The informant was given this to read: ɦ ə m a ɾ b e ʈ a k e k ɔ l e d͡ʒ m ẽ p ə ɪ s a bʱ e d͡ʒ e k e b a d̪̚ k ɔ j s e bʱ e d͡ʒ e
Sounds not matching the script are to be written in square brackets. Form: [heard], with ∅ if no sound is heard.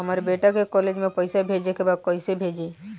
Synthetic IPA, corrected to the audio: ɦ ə m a ɾ b e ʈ a k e k ɔ l e d͡ʒ m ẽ p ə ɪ s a bʱ e d͡ʒ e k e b a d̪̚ k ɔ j s e bʱ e d͡ʒ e